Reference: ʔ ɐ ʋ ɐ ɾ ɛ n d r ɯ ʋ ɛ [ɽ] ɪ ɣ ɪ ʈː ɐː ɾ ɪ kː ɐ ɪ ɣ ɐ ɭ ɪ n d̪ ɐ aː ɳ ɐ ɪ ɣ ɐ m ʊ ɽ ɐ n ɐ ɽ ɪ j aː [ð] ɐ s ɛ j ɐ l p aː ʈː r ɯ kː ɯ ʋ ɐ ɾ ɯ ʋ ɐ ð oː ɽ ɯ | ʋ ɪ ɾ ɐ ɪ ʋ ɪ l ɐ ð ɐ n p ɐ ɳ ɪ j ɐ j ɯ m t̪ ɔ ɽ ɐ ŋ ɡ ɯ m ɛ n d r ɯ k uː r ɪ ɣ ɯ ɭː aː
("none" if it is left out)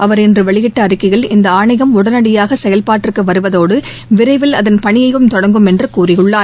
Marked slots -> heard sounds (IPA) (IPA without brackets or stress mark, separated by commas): ɭ, ɣ